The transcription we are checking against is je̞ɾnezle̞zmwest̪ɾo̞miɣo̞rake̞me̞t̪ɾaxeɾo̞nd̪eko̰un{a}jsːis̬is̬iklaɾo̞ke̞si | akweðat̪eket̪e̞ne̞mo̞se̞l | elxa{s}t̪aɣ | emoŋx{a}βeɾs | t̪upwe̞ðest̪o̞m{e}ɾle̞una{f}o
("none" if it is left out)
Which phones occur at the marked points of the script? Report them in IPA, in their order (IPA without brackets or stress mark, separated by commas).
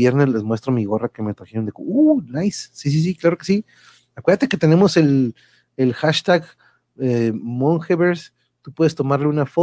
a, ʃ, e, a, f